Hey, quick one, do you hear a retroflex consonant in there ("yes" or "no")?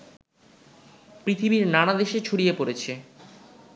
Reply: yes